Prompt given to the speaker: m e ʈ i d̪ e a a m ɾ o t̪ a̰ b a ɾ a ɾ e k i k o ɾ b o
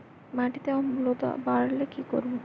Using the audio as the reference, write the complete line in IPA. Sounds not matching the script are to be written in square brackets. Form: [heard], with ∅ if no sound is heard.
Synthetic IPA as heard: m [a] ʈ i [t̪] e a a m [l] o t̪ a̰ b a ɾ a [l] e k i k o ɾ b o